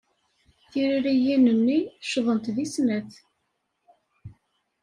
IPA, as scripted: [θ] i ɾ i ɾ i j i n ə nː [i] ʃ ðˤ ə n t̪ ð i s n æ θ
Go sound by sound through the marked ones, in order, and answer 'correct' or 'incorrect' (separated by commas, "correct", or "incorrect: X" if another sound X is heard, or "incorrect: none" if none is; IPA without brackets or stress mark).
correct, correct